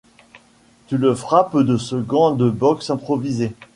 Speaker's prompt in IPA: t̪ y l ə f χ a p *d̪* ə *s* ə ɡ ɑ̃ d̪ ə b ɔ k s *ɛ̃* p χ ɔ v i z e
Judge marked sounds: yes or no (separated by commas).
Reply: yes, yes, yes